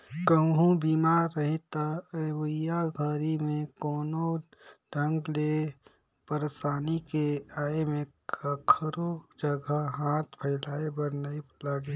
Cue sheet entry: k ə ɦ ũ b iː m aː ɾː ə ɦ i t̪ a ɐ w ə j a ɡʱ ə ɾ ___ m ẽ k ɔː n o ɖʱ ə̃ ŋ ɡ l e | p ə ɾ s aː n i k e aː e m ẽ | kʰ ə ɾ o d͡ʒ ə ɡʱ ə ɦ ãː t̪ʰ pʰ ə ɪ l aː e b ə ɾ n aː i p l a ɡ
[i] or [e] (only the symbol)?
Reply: i